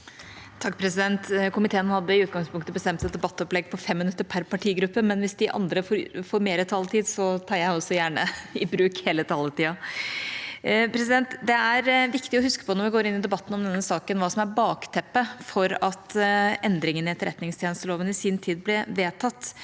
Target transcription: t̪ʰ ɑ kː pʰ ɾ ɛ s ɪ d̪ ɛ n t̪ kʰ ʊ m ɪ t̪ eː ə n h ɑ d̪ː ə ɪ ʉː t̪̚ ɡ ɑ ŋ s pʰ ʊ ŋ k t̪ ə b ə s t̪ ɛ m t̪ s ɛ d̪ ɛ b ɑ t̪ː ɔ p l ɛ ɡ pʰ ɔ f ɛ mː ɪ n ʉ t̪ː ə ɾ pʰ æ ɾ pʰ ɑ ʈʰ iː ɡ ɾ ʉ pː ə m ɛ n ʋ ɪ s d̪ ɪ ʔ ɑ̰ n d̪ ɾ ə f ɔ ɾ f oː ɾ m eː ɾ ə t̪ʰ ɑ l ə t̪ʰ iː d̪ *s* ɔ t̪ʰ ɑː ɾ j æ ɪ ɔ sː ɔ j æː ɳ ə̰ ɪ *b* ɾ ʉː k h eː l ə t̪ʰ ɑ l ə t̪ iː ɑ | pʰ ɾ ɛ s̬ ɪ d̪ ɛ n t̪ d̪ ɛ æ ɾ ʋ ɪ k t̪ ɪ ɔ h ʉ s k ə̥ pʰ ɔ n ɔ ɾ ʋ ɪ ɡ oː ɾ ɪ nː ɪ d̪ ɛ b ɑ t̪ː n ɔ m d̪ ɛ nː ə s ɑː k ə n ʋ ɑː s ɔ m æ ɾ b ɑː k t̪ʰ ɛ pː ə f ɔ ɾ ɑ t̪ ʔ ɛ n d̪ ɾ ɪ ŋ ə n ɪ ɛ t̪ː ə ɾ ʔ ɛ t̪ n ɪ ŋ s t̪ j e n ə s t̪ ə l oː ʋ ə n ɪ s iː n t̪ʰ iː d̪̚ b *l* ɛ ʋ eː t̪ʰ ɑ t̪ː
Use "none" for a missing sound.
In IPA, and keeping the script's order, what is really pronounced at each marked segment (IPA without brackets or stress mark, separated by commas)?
s, b, l